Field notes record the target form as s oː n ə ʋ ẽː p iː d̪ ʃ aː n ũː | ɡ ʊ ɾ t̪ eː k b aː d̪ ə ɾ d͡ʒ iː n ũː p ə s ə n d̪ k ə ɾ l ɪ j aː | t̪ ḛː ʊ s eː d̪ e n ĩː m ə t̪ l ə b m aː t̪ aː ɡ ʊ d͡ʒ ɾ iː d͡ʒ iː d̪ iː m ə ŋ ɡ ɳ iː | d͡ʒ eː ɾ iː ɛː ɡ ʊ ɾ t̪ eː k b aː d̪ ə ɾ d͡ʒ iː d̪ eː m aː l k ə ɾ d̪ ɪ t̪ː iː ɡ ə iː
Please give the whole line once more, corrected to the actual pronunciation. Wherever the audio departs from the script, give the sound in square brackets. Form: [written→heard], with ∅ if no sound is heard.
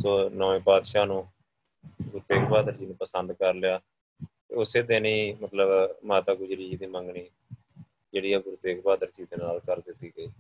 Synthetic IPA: s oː n ə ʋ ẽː p [iː→aː] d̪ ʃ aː n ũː | ɡ ʊ ɾ t̪ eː k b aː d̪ ə ɾ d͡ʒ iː n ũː p ə s ə n d̪ k ə ɾ l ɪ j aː | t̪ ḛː ʊ s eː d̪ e n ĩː m ə t̪ l ə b m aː t̪ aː ɡ ʊ d͡ʒ ɾ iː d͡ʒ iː d̪ iː m ə ŋ ɡ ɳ iː | d͡ʒ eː [ɾ→ɽ] iː ɛː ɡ ʊ ɾ t̪ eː k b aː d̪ ə ɾ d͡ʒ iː d̪ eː [m→n] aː l k ə ɾ d̪ ɪ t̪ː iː ɡ ə iː